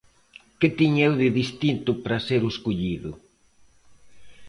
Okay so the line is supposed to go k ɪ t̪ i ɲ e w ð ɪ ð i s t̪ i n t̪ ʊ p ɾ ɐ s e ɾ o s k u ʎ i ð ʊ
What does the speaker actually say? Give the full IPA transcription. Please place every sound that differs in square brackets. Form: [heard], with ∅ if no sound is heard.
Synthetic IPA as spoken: k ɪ t̪ i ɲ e w ð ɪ ð i s t̪ i n t̪ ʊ p ɾ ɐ s e ɾ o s k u ʎ i ð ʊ